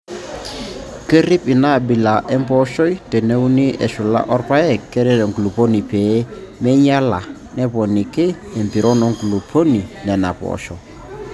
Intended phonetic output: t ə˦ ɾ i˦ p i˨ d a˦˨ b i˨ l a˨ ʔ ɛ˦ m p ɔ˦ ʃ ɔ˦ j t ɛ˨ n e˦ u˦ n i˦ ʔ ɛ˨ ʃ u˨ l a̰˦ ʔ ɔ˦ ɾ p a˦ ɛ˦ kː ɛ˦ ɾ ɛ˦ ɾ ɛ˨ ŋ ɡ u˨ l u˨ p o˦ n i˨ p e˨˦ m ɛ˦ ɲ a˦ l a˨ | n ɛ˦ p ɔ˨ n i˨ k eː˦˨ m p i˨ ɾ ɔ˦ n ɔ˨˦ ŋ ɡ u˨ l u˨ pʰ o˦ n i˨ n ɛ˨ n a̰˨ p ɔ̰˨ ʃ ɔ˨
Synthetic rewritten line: k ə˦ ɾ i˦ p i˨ n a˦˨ b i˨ l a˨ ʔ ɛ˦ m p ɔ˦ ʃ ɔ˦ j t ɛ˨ n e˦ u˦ n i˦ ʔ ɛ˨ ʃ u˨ l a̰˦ ʔ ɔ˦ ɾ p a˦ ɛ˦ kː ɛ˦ ɾ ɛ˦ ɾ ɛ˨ ŋ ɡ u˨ l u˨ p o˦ n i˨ p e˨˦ m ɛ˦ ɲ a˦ l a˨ | n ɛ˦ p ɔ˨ n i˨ k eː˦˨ m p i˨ ɾ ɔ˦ n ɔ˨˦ ŋ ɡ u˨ l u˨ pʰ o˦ n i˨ n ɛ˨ n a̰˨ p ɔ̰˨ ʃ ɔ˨